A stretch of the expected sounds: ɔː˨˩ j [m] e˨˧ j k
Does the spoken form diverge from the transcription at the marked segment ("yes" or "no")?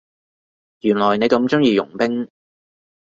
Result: yes